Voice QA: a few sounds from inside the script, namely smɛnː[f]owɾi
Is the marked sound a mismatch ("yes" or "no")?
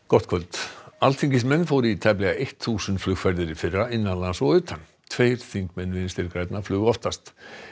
no